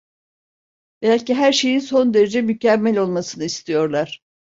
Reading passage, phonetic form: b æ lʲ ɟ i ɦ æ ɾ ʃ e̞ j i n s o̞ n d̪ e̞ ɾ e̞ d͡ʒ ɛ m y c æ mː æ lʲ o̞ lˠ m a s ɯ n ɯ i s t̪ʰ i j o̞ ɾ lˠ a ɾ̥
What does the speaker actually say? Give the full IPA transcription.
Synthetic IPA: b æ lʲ c i ɦ æ ɾ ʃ e̞ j i n s o̞ n d̪ e̞ ɾ e̞ d͡ʒ ɛ m y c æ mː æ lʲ o̞ lˠ m a s ɯ n ɯ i s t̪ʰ i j o̞ ɾ lˠ a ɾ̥